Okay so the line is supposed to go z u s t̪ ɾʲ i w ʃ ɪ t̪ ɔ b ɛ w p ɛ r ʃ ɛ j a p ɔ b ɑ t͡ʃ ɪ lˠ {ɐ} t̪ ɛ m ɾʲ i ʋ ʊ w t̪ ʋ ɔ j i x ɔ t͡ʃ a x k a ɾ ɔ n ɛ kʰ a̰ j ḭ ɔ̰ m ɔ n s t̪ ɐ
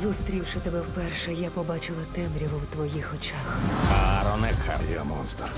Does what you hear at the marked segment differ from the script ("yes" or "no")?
no